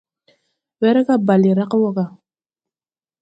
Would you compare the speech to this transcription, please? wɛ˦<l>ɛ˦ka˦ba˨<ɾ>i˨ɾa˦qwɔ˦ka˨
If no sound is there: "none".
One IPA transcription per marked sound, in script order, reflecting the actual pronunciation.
ɾ, l

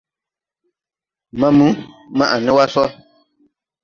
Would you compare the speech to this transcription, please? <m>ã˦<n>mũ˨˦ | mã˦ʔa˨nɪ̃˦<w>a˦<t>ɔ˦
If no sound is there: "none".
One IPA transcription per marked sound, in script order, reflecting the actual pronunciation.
m, none, w, s

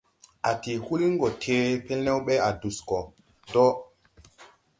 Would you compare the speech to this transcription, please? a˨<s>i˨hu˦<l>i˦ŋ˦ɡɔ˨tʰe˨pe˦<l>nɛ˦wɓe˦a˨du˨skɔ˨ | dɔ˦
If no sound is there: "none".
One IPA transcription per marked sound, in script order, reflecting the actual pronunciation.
t, l, l

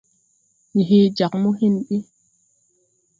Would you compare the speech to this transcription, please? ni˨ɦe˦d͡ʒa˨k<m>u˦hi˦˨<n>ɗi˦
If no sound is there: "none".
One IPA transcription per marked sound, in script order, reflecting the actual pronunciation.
m, n

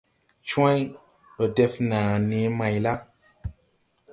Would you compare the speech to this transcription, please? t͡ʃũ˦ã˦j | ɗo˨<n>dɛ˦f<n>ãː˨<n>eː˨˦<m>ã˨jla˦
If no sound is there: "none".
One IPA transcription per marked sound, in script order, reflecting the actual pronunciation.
none, n, n, m

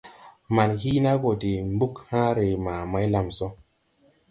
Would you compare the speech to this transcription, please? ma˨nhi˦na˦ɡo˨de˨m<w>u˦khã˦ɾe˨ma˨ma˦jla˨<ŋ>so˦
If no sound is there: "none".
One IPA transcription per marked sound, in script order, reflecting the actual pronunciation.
b, m

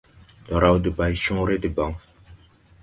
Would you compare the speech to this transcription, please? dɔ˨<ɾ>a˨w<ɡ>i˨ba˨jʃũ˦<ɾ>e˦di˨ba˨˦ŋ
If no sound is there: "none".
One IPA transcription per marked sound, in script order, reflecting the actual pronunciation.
ɾ, d, ɾ

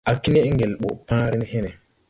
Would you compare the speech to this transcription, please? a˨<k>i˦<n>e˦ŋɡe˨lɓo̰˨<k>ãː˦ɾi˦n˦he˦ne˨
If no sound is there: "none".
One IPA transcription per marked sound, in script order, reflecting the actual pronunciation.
k, n, p

